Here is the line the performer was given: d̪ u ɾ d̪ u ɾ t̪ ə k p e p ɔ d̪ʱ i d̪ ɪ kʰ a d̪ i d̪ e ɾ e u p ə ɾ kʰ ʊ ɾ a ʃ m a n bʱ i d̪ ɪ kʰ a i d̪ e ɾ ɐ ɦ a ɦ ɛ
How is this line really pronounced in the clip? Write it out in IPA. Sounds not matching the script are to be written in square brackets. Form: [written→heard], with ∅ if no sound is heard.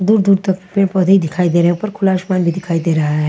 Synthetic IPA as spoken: d̪ u ɾ d̪ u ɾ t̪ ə k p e p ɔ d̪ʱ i d̪ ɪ kʰ a [d̪→∅] i d̪ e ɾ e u p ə ɾ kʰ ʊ [ɾ→l] a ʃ m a n bʱ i d̪ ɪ kʰ a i d̪ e ɾ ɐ ɦ a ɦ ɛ

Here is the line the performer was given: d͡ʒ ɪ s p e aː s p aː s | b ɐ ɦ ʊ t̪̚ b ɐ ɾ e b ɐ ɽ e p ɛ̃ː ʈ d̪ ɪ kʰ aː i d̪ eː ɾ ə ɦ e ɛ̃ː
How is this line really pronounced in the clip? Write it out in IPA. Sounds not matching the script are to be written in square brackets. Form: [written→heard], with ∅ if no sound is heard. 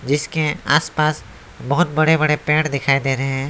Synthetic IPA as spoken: d͡ʒ ɪ s [p→k] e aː s p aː s | b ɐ ɦ ʊ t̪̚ b ɐ [ɾ→ɽ] e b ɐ ɽ e p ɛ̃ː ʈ d̪ ɪ kʰ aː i d̪ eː ɾ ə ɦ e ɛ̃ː

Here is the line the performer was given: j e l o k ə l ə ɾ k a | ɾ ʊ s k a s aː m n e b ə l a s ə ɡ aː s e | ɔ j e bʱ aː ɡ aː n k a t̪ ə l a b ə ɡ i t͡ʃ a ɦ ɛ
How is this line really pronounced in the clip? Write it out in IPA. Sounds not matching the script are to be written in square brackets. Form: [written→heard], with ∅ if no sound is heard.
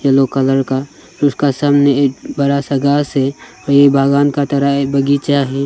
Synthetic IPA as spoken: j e l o k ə l ə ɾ k a | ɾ ʊ s k a s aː m n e b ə [l→ɾ] a s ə ɡ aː s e | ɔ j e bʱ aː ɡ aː n k a t̪ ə [l→ɾ] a b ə ɡ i t͡ʃ a ɦ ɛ

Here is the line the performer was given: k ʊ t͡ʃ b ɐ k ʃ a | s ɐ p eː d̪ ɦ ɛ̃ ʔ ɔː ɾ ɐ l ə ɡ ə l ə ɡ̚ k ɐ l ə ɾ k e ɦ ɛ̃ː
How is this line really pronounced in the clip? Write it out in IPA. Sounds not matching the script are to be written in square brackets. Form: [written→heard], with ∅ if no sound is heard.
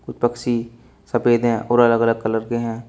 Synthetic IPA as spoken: k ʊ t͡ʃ [b→p] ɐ k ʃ [a→i] | s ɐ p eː d̪ ɦ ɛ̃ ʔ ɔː ɾ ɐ l ə ɡ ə l ə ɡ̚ k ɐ l ə ɾ k e ɦ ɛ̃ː

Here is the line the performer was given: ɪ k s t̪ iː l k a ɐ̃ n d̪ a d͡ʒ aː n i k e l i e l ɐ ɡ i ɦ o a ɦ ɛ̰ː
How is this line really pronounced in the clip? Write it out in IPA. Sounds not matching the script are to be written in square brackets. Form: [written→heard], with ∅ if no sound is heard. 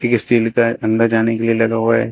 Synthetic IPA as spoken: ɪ k s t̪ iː l k a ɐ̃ n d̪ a d͡ʒ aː n [i→e] k e l i e l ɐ ɡ [i→a] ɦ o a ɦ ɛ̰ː

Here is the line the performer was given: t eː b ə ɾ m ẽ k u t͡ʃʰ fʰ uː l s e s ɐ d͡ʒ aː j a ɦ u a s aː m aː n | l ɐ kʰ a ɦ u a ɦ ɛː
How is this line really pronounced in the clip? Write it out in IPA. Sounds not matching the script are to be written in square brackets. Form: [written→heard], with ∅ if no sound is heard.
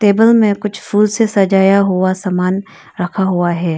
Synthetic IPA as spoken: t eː b ə [ɾ→l] m ẽ k [u→ʊ] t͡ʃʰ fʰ uː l s e s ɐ d͡ʒ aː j a ɦ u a s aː m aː n | [l→ɾ] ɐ kʰ a ɦ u a ɦ ɛː

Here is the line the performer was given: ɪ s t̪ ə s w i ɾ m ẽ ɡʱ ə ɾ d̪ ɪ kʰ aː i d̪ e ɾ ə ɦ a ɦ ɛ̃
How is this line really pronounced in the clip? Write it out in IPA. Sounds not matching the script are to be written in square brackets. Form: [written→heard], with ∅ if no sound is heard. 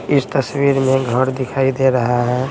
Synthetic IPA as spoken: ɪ s t̪ ə s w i ɾ m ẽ ɡʱ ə ɾ d̪ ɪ kʰ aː i d̪ e ɾ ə ɦ a ɦ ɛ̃

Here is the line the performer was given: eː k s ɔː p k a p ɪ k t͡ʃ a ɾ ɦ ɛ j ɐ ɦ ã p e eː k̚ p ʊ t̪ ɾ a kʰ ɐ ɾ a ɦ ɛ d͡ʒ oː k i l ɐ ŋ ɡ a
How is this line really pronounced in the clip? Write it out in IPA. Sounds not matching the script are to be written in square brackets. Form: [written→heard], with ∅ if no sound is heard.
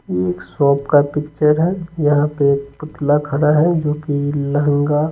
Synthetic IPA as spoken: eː k s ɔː p k a p ɪ k t͡ʃ [a→ə] ɾ ɦ ɛ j ɐ ɦ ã p e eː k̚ p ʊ t̪ [ɾ→l] a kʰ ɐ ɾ a ɦ ɛ d͡ʒ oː k i l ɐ ŋ ɡ a

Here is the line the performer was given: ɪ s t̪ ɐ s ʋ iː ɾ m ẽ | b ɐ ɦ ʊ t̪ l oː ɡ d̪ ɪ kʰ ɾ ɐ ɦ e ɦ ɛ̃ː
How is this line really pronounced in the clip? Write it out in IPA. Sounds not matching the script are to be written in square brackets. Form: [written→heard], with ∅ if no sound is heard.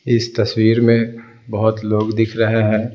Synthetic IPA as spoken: ɪ s t̪ ɐ s [ʋ→w] iː ɾ m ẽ | b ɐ ɦ ʊ t̪ l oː ɡ d̪ ɪ kʰ ɾ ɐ ɦ e ɦ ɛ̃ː

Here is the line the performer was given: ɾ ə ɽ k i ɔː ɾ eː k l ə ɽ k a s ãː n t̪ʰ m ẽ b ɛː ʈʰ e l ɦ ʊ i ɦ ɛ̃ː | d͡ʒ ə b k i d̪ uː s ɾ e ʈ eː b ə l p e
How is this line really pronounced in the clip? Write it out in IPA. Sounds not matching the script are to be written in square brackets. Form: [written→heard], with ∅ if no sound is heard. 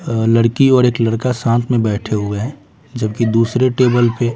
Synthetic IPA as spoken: [ɾ→l] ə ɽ k i ɔː ɾ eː k l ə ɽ k a s ãː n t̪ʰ m ẽ b ɛː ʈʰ e [l→∅] ɦ ʊ [i→e] ɦ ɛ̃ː | d͡ʒ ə b k i d̪ uː s ɾ e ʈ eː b ə l p e

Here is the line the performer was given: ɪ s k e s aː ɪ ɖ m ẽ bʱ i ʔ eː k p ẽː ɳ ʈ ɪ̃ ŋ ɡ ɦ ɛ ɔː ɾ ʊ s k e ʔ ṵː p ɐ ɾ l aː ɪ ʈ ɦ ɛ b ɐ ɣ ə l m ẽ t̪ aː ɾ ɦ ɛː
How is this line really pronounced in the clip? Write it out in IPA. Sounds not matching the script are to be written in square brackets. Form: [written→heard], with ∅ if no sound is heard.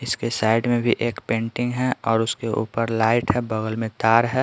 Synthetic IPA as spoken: ɪ s k e s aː ɪ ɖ m ẽ bʱ i ʔ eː k p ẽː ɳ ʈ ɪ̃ ŋ ɡ ɦ ɛ ɔː ɾ ʊ s k e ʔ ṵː p [ɐ→ə] ɾ l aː ɪ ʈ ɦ ɛ b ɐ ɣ ə l m ẽ t̪ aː ɾ ɦ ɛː

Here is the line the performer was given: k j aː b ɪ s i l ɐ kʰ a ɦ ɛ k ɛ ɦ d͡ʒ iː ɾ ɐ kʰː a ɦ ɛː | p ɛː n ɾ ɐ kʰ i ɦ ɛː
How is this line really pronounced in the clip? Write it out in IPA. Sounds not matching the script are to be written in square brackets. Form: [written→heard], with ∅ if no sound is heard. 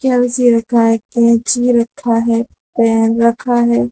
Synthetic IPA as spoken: k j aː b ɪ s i [l→ɾ] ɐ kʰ a ɦ ɛ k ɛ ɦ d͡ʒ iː ɾ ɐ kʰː a ɦ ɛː | p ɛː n ɾ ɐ kʰ [i→a] ɦ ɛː

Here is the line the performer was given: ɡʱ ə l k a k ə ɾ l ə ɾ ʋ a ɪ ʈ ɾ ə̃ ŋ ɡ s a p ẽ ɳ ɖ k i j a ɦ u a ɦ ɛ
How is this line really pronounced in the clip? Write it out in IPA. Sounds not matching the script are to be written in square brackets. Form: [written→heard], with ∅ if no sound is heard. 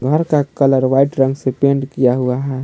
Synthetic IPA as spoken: ɡʱ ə [l→ɾ] k a k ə [ɾ→∅] l ə ɾ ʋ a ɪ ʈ ɾ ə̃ ŋ ɡ s [a→e] p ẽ ɳ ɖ k i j a ɦ u a ɦ ɛ

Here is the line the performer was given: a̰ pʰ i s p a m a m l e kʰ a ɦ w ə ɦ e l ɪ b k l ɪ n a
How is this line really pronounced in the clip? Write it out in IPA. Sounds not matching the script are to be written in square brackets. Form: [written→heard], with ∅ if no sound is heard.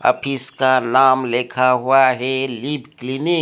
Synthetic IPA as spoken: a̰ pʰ i s [p→k] a [m→n] a m l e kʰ a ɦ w [ə→a] ɦ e l [ɪ→i] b k l [ɪ→i] n [a→i]

